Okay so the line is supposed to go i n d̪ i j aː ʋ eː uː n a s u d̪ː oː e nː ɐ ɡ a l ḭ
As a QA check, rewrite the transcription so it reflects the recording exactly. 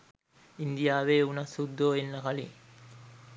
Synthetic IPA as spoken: i n d̪ i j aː ʋ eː u n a s u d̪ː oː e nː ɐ k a l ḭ

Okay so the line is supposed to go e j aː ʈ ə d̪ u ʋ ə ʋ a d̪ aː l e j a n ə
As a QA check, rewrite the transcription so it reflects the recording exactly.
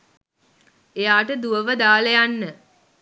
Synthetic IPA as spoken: e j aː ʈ ə d̪ u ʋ ə ʋ ə d̪ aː l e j a nː ə

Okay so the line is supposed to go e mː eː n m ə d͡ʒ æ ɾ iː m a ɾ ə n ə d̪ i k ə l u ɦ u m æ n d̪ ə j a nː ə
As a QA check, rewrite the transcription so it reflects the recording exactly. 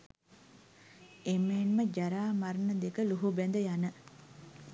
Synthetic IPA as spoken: e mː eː n m ə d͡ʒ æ ɾ aː m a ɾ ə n ə d̪ e k ə l u ɦ u b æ n d̪ ə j a n ə

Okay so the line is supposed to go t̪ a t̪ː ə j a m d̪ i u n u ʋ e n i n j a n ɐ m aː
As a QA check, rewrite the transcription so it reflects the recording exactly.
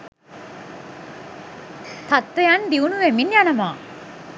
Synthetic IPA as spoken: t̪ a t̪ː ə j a n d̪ i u n u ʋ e m i n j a n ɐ m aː

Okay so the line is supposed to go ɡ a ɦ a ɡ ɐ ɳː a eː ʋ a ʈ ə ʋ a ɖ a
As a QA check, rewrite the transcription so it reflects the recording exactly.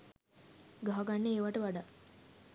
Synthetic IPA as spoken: ɡ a ɦ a ɡ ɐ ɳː e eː ʋ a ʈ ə ʋ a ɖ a

